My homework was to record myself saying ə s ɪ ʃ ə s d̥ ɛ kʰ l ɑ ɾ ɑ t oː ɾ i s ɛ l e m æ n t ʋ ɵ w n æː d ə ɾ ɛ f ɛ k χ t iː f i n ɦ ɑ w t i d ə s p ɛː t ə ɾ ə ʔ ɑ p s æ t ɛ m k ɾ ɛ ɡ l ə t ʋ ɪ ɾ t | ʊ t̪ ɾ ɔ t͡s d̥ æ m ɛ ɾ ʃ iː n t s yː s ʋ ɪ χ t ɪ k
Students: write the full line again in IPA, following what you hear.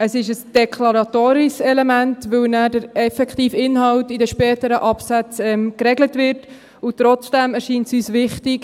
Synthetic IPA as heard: ə s ɪ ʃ ə s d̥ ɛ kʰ l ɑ ɾ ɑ t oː ɾ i s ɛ l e m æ n t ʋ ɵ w n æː d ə ɾ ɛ f ɛ k χ t iː f ɪ n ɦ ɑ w t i d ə ʃ p ɛː t ə ɾ ə ʔ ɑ p s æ t͡s ɛ m k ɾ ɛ ɡ l ə t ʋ ɪ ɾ t | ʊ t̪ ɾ ɔ t͡s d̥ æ m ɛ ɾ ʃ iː n t s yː s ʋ ɪ χ t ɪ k